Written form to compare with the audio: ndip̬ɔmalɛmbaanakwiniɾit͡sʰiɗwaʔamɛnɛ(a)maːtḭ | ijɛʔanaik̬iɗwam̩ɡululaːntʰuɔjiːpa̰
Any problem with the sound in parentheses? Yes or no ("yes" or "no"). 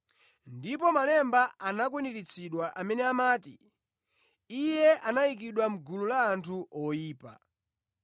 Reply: no